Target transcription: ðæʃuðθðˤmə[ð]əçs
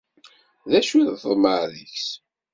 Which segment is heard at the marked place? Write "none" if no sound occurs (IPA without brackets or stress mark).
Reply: ð